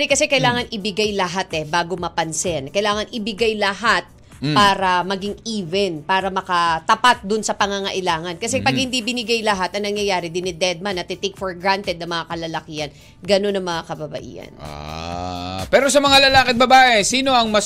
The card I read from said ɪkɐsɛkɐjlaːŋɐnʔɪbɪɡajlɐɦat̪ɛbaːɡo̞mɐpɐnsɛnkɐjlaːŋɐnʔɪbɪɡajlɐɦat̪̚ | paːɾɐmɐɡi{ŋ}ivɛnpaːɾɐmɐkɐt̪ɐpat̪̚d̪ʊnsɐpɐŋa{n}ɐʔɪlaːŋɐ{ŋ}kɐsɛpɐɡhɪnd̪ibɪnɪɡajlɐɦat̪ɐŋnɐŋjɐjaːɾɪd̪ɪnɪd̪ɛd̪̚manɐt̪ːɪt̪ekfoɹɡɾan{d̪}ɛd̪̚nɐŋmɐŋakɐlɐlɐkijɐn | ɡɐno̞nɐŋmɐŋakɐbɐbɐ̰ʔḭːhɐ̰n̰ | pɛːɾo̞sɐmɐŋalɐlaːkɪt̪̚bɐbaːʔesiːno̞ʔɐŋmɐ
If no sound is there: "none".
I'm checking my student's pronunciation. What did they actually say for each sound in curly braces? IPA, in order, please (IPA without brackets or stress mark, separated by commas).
ŋ, ŋ, n, t̪